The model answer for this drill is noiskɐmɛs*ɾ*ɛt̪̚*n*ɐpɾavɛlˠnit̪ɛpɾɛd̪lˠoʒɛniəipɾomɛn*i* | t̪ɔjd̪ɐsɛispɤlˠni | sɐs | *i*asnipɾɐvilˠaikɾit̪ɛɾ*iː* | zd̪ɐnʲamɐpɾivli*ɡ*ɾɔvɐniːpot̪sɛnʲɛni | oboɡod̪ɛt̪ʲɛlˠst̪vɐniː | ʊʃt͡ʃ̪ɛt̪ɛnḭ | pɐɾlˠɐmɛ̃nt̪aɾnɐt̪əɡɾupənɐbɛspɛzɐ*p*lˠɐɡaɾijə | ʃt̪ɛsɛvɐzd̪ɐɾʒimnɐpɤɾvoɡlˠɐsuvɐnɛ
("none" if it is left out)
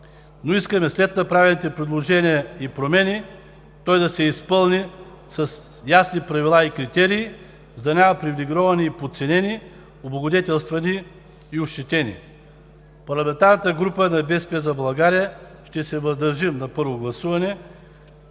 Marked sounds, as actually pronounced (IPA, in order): l, n, i, j, iː, ɡ, b

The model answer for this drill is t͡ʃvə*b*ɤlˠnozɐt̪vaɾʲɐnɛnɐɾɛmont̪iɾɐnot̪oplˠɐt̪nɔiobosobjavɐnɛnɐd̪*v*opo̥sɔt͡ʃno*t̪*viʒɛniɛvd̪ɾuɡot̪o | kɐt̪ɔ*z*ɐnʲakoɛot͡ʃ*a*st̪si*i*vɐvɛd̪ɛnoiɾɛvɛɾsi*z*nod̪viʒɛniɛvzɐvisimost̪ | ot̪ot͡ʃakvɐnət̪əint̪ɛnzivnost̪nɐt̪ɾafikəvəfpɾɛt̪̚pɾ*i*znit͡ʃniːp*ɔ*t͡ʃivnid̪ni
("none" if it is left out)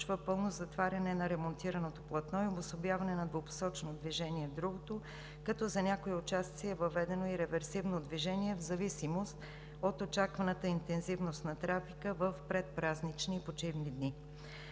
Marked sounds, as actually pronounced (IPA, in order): p, v, d̪, z, a, ɛ, v, a, o

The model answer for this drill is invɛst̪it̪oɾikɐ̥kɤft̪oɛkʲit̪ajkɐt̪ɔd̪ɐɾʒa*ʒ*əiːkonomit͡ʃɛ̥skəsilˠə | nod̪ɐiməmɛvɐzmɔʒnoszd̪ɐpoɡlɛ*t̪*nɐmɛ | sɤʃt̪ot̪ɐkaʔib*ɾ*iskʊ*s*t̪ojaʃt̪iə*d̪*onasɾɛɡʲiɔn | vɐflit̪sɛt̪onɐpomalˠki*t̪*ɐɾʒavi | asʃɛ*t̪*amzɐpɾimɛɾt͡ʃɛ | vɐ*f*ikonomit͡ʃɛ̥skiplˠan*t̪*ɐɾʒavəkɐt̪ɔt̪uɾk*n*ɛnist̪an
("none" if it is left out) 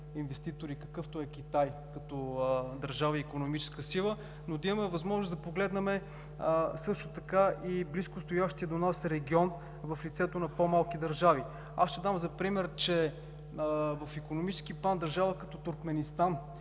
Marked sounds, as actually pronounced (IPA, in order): v, d̪, l, s, d̪, d̪, d̪, f, d̪, m

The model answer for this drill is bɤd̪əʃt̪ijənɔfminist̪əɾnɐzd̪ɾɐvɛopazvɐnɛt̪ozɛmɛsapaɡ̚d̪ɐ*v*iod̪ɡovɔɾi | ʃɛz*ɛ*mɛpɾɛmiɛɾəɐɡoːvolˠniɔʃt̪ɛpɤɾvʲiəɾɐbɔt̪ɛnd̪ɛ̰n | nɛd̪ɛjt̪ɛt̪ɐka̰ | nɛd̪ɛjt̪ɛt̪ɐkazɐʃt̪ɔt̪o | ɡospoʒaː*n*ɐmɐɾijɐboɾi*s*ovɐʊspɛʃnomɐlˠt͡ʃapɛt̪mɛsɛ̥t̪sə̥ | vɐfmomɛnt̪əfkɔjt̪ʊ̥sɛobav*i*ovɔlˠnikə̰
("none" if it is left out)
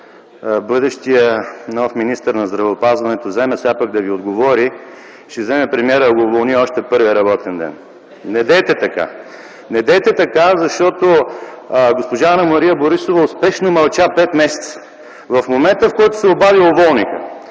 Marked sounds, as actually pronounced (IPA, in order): v, ɛ, n, s, i

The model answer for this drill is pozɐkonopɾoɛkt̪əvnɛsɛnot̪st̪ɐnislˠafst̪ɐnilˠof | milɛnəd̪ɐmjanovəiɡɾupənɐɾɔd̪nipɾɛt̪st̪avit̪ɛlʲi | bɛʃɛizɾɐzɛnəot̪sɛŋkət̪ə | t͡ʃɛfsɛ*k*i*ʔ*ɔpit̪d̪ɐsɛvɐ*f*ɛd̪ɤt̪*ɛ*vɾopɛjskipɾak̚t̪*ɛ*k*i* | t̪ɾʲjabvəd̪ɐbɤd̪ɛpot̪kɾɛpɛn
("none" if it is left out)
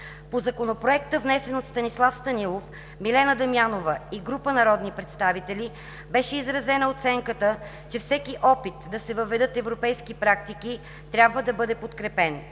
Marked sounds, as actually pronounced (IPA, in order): k, ʔ, v, ɛ, i, i

